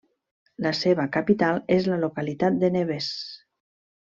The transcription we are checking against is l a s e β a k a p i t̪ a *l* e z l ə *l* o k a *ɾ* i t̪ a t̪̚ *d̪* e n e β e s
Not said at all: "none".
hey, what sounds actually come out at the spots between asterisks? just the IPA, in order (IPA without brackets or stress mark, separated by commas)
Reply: l, l, l, d̪